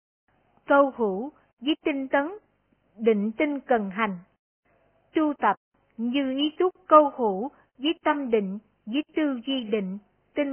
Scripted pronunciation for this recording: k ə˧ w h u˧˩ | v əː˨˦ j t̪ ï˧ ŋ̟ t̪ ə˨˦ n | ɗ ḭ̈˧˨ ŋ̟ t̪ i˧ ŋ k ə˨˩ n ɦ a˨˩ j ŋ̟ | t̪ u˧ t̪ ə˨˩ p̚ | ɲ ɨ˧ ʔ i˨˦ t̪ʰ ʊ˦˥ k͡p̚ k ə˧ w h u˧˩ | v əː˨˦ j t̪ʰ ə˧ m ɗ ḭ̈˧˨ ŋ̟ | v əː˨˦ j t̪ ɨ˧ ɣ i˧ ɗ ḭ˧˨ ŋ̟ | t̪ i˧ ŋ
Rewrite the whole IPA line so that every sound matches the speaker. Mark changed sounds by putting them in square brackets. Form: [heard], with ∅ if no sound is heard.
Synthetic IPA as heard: k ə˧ w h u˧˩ | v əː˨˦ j t̪ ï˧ ŋ̟ t̪ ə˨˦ n | ɗ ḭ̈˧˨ ŋ̟ t̪ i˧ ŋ k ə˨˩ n ɦ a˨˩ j ŋ̟ | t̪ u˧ t̪ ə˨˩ p̚ | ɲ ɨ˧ ʔ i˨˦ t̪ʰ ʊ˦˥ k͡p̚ k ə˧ w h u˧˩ | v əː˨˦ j [t̪] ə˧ m ɗ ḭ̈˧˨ ŋ̟ | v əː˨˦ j t̪ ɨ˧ [z] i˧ ɗ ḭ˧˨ ŋ̟ | t̪ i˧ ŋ